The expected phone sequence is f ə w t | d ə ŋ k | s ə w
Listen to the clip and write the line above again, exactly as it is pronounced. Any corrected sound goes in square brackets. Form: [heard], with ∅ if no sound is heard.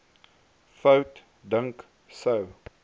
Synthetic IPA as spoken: f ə w t | d ə ŋ k | s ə w